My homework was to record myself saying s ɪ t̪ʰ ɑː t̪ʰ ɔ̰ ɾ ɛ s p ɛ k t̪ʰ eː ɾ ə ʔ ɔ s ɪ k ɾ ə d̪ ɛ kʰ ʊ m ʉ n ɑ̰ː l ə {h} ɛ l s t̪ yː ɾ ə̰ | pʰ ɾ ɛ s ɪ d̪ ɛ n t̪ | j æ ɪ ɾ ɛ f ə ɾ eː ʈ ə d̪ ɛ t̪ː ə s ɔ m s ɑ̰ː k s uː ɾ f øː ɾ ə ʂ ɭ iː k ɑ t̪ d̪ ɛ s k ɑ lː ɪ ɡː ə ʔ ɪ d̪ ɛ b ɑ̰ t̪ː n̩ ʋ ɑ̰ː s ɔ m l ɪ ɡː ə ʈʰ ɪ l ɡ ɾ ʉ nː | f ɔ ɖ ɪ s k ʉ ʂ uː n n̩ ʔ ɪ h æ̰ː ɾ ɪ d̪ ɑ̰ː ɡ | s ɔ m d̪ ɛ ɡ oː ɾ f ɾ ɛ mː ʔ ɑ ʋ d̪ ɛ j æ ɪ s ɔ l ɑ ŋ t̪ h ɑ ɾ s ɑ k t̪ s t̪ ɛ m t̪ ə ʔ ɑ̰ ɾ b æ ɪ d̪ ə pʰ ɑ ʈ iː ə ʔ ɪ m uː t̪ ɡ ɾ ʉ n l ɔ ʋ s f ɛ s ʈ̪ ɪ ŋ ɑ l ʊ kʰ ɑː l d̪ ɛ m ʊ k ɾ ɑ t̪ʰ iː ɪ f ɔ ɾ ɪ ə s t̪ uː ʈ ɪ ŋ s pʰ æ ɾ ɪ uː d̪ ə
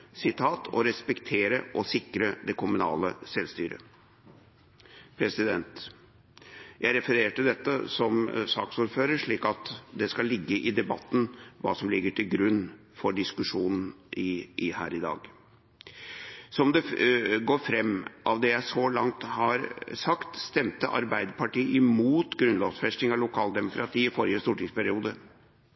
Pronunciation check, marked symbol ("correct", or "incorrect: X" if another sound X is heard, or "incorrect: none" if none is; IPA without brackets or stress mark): incorrect: s